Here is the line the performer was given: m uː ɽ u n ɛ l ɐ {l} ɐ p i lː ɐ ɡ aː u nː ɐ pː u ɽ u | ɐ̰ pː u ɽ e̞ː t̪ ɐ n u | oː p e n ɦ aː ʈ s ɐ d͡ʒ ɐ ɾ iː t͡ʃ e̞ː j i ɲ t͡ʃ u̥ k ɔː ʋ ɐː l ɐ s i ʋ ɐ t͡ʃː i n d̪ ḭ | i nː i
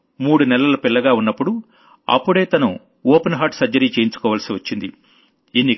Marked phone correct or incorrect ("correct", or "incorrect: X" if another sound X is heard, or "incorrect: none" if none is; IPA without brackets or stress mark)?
correct